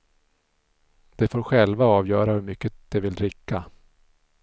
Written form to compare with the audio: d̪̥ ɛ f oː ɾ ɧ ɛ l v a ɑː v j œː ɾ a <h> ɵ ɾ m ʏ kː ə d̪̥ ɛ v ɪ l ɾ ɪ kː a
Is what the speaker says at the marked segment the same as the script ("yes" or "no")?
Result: yes